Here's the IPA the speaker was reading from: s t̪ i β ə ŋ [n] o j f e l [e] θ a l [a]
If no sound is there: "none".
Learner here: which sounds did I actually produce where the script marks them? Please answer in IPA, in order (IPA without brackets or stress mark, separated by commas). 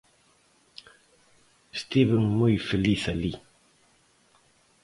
m, i, i